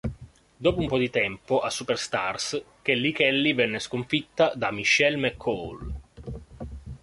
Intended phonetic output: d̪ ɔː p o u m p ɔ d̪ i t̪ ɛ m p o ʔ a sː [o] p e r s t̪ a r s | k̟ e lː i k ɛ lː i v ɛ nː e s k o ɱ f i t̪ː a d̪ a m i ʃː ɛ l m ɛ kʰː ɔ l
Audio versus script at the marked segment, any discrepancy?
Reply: yes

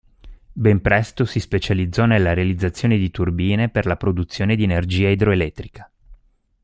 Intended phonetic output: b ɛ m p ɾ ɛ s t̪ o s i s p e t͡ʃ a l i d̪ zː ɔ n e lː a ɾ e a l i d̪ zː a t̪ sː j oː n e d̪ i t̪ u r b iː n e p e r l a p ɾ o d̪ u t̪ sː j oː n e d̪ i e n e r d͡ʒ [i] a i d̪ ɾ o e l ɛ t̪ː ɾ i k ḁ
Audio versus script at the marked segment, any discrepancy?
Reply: yes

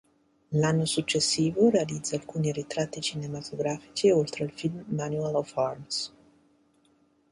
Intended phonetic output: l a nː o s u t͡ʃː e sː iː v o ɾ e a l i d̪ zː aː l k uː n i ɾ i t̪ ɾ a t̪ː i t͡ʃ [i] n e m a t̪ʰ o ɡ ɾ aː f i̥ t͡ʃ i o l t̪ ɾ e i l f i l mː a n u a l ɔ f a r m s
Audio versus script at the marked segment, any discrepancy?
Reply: no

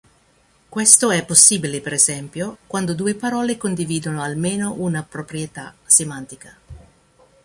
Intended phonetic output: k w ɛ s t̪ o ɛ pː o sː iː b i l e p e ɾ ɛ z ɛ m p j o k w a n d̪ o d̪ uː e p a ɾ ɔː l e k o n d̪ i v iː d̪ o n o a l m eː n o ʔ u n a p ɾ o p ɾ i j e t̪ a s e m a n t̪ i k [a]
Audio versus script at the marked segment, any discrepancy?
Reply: no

